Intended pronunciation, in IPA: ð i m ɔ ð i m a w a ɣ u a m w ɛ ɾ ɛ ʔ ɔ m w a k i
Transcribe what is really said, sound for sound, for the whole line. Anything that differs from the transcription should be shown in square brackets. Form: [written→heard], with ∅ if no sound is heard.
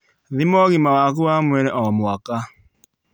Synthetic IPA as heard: ð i m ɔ [ð→ɣ] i m a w a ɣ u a m w ɛ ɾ ɛ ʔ ɔ m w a k [i→a]